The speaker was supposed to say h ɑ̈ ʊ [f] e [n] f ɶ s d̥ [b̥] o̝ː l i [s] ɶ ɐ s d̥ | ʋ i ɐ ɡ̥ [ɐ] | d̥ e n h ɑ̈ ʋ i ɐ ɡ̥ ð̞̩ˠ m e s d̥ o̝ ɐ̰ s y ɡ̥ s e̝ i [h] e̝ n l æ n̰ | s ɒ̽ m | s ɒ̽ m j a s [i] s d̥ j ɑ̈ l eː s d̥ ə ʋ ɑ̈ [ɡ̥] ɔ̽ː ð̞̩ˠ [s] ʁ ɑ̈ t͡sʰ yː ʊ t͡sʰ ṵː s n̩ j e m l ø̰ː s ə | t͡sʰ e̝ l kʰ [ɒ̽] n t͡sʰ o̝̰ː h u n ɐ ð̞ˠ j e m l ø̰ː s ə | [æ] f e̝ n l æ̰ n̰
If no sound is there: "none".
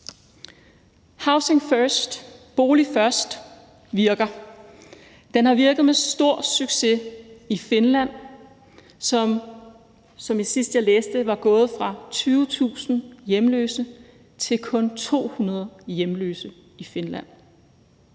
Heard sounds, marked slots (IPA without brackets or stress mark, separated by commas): s, ŋ, b̥, f, ɐ, f, i, ɡ̥, f, ɔ̽, i